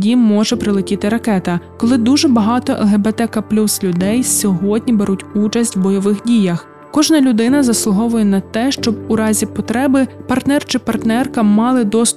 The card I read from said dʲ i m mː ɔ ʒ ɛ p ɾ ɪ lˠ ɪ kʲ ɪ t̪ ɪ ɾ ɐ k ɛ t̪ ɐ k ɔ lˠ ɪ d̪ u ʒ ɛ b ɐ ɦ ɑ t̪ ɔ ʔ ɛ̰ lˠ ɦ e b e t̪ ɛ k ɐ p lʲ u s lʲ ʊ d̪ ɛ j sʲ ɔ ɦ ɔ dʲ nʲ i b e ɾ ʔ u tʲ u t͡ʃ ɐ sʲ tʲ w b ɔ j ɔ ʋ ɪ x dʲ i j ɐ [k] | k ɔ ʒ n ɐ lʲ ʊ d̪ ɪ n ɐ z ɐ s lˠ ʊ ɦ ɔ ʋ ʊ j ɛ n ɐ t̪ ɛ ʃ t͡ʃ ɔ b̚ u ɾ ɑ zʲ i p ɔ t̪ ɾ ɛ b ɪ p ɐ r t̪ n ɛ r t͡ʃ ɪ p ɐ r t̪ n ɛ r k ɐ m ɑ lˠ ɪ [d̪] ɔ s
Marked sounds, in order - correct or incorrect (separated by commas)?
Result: incorrect, correct